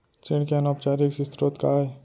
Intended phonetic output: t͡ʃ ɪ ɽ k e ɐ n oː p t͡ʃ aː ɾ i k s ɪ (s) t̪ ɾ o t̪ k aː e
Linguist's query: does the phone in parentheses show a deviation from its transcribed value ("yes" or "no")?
no